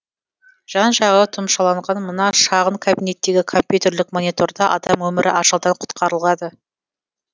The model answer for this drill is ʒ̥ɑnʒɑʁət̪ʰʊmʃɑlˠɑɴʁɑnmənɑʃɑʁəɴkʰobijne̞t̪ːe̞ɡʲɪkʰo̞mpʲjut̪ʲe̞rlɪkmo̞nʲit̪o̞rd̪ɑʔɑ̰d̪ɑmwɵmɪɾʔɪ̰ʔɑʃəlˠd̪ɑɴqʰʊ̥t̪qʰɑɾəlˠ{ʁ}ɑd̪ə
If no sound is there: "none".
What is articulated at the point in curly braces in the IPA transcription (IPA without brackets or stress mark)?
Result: ʁ